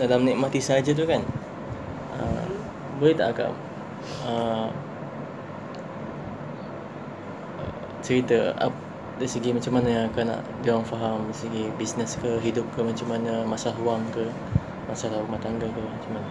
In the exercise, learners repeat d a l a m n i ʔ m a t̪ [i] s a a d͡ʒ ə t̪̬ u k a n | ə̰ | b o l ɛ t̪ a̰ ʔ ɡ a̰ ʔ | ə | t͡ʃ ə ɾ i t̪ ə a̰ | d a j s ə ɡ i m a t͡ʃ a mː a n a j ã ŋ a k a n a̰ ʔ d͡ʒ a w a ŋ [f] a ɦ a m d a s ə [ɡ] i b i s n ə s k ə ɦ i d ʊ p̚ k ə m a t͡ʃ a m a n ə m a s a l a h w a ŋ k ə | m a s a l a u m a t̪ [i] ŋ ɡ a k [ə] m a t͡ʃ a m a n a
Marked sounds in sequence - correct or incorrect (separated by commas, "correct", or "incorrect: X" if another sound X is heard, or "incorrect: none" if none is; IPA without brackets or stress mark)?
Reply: correct, correct, correct, incorrect: a, correct